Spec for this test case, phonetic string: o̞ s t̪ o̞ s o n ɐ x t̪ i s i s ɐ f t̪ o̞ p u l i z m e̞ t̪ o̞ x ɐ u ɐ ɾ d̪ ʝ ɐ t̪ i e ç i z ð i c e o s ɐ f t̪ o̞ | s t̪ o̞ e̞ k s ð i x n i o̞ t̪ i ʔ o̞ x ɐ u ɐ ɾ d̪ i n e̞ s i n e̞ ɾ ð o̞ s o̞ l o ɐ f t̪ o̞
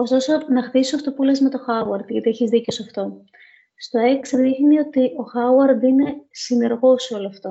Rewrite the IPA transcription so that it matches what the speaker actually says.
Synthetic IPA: o̞ s t̪ o̞ s o n ɐ x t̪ i s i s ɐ f t̪ o̞ p u l e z m e̞ t̪ o̞ x ɐ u ɐ ɾ d̪ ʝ ɐ t̪ i e ç i z ð i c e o s ɐ f t̪ o̞ | s t̪ o̞ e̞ k s ð i x n i o̞ t̪ i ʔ o̞ x ɐ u ɐ ɾ d̪ i n e̞ s i n e̞ ɾ ɣ o̞ s o̞ l o ɐ f t̪ o̞